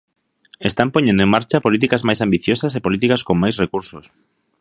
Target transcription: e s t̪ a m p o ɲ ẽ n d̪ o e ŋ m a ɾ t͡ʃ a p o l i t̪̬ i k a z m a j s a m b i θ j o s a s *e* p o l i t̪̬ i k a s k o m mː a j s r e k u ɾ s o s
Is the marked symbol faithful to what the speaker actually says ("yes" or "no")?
yes